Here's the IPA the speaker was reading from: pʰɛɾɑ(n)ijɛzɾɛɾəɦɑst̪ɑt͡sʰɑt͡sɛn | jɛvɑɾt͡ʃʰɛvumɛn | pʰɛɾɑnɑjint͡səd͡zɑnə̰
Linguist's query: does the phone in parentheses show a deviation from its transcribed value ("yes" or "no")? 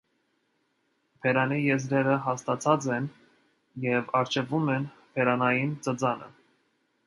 no